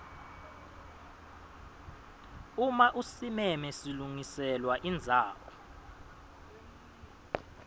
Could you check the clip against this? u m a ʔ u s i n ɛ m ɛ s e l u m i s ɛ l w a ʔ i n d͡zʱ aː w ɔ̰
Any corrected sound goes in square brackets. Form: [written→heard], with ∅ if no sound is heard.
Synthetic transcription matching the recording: u m a ʔ u s i [n→m] ɛ m ɛ s [e→i] l u [m→ŋ] i s ɛ l w a ʔ i n d͡zʱ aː w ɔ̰